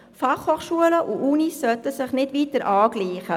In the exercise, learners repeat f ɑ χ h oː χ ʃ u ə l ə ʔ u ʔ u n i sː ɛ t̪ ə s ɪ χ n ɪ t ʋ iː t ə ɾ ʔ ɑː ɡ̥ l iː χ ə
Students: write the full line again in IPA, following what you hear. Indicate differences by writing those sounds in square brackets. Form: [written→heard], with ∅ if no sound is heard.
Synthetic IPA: f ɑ χ h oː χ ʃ u ə l ə ʔ u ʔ u n i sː [ɛ→œ] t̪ ə s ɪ χ n ɪ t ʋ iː t ə ɾ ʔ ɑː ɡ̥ l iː χ ə

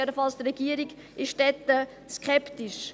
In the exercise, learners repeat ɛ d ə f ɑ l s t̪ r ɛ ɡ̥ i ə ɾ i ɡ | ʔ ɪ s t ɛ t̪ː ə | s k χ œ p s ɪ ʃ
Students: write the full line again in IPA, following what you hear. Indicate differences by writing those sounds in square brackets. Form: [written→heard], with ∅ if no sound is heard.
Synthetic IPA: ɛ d ə f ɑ l s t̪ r ɛ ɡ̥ i ə ɾ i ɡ | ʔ ɪ [s→ʃ] t ɛ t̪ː ə | s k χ [œ→ɛ] p [s→t] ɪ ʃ

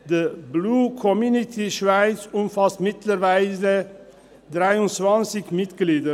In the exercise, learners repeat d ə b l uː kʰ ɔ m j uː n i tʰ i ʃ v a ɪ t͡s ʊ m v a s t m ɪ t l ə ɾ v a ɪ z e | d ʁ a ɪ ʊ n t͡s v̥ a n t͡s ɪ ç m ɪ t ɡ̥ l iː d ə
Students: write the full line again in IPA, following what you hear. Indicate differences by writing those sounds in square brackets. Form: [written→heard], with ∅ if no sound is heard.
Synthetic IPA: d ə b l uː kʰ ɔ m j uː n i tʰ i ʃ v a ɪ t͡s ʊ m [v→f] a s t m ɪ t l ə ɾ v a ɪ z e | d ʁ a ɪ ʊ n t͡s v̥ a n t͡s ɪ ç m ɪ t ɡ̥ l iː d ə

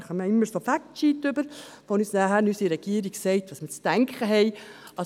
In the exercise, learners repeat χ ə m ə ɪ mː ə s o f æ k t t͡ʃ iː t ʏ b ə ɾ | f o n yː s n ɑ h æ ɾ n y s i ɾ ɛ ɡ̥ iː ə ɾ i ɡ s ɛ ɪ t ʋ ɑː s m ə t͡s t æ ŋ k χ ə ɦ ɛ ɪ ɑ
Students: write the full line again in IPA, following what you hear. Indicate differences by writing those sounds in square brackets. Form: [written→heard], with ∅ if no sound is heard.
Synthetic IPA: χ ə m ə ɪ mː ə s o f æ k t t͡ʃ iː t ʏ b ə ɾ | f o n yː s n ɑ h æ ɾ n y s i ɾ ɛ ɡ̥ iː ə ɾ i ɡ s ɛ ɪ t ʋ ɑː s m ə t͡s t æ ŋ k χ ə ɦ ɛ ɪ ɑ

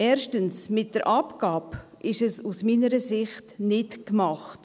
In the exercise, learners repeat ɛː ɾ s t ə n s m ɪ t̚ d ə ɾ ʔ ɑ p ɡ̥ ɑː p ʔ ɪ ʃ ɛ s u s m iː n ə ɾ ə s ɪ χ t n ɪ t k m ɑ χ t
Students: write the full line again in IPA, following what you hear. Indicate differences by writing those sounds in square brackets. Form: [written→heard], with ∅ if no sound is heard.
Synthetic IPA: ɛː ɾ [s→ʃ] t ə n s m ɪ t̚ d ə ɾ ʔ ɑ p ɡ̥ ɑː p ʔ ɪ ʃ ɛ s u s m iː n ə ɾ ə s ɪ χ t n ɪ t k m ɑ χ t

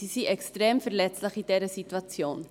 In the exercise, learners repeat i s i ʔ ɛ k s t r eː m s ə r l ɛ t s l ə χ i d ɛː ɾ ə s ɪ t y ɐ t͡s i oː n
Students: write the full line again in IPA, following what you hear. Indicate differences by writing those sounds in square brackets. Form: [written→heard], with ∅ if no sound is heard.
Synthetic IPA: i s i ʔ ɛ k s t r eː m [s→f] ə r l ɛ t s l ə χ i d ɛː ɾ ə s [ɪ→i] t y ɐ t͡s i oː n

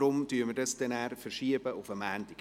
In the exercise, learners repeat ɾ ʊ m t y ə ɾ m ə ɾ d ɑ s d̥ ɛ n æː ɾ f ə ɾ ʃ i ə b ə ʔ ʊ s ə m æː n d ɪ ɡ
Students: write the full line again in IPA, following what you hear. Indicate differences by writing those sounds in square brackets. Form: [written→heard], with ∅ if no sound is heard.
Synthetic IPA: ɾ ʊ m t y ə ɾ m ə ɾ d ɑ s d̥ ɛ n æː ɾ f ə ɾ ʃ i ə b ə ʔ ʊ [s→f] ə m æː n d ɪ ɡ

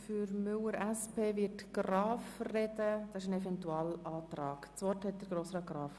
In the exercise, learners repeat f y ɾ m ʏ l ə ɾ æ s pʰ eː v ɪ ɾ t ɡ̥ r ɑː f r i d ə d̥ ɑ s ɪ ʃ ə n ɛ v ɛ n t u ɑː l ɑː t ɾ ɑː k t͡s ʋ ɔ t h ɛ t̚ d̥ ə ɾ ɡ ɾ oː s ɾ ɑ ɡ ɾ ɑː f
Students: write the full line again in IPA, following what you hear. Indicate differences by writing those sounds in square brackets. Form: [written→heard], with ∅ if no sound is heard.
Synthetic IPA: f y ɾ m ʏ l ə ɾ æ s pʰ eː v ɪ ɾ t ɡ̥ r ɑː f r [i→ɛ] d ə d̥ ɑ s ɪ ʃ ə n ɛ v ɛ n t u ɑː l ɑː t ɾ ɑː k t͡s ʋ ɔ t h ɛ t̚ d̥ ə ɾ ɡ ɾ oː s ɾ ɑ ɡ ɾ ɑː f

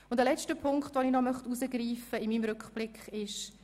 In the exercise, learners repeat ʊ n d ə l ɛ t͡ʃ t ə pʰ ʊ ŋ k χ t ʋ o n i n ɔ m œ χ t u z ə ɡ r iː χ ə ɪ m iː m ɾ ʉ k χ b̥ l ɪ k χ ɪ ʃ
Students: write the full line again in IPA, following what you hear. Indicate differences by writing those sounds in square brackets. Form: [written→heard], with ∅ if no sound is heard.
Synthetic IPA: ʊ n d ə l ɛ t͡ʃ t ə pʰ ʊ ŋ k χ t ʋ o n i n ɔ m œ χ t u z ə ɡ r iː [χ→f] ə ɪ m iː m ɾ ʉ k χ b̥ l ɪ k χ ɪ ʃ

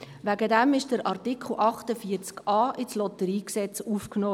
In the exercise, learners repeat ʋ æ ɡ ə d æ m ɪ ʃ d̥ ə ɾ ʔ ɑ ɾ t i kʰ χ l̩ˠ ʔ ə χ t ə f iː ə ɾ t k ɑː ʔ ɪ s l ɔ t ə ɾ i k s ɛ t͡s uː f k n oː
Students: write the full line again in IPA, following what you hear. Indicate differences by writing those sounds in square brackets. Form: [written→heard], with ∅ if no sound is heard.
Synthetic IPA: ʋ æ ɡ ə d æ m ɪ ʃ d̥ ə ɾ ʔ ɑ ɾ t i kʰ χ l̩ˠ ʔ [ə→ɑ] χ t ə f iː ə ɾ [t→t͡s] k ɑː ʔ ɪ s l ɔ t ə ɾ [i→iː] k s ɛ t͡s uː f k n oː

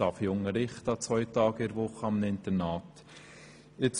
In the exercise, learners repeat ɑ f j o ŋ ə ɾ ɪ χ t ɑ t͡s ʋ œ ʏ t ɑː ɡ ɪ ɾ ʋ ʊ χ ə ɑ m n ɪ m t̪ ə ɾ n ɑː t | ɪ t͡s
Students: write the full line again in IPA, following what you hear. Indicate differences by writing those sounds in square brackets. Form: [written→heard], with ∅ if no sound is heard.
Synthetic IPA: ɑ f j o ŋ ə ɾ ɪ χ t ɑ t͡s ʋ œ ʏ t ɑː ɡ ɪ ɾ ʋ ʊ χ ə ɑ m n ɪ [m→n] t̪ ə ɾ n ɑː t | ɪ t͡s

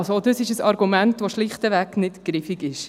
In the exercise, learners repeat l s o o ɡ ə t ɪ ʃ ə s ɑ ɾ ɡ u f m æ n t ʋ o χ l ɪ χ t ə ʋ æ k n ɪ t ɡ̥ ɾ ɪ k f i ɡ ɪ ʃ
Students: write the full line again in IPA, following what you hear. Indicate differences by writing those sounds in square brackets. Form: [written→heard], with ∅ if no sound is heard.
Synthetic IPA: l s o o [ɡ→d] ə [t→s] ɪ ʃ ə s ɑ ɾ ɡ u [f→∅] m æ n t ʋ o [χ→ʃ] l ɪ χ t ə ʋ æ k n ɪ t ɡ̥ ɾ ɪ [k→∅] f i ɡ ɪ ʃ

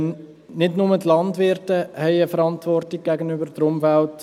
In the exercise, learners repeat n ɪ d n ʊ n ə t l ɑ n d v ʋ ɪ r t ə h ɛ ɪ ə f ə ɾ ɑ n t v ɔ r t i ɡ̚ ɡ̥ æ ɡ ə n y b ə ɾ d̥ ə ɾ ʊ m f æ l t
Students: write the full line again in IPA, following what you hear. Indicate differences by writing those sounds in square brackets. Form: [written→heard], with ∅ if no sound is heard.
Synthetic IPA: n ɪ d n ʊ [n→m] ə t l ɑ n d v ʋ ɪ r t ə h ɛ ɪ ə f ə ɾ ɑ n t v ɔ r t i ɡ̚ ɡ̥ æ ɡ ə n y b ə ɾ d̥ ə ɾ ʊ m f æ l t

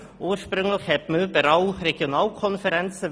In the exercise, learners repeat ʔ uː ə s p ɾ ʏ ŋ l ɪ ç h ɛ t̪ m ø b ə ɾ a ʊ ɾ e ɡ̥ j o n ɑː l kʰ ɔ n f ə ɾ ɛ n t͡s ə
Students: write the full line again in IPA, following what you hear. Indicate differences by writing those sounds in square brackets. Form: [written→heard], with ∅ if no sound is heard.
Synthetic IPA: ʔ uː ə [s→ʃ] p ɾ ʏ ŋ l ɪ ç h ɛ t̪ m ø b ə ɾ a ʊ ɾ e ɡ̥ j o n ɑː l kʰ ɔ n f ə ɾ ɛ n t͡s ə

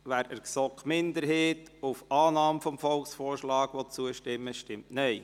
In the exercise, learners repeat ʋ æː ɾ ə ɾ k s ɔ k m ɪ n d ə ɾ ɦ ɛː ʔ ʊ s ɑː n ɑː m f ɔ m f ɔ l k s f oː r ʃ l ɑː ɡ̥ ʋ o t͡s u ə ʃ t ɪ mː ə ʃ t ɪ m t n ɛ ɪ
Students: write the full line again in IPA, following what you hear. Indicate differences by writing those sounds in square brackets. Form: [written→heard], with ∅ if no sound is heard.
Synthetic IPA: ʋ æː ɾ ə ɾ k s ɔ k m ɪ n d ə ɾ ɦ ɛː [ʔ→t] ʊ [s→f] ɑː n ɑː m f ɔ m f ɔ l k s f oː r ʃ l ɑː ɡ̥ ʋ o t͡s u ə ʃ t ɪ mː ə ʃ t ɪ m t n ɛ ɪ

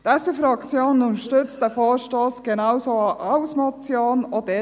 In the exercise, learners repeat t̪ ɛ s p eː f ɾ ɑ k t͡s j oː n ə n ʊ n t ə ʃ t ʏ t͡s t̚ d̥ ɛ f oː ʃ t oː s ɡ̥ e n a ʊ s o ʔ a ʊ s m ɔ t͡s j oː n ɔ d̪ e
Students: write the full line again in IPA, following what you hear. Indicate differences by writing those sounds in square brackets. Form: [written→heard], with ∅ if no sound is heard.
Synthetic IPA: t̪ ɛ s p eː f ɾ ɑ k t͡s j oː n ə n ʊ n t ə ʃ t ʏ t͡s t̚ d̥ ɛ f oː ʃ t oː s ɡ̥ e n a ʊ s o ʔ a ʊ s m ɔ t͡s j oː n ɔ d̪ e

